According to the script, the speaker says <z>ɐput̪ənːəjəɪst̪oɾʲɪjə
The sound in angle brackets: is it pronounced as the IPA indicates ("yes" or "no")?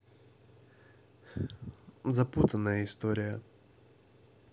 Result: yes